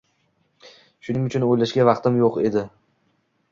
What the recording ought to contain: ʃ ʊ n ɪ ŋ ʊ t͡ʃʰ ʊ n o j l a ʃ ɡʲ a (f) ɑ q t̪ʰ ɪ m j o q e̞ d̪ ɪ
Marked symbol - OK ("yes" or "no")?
no